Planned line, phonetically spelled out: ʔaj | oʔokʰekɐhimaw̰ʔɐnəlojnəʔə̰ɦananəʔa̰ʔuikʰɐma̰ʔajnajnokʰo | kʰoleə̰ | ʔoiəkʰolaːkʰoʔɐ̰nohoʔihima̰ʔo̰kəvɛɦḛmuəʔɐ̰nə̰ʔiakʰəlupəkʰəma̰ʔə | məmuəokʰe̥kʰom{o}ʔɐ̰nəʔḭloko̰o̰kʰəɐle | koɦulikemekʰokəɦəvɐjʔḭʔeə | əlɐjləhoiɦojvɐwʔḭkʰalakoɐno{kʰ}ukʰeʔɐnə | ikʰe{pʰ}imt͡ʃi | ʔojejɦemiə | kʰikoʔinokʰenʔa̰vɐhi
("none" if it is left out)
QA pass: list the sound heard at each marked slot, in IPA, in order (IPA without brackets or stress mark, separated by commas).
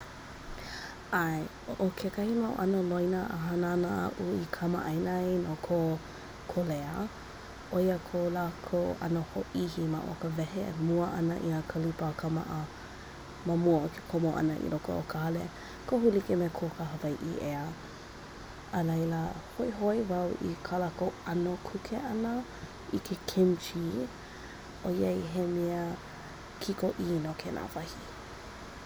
o, kʰ, kʰ